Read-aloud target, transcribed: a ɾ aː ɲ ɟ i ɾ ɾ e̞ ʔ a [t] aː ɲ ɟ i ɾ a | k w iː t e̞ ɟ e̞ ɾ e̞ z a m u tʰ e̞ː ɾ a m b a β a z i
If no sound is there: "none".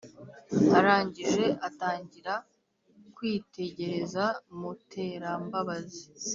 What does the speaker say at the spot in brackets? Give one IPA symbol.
t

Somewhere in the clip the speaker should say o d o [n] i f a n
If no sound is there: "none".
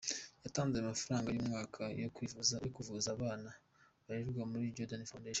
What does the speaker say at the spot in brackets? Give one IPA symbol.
n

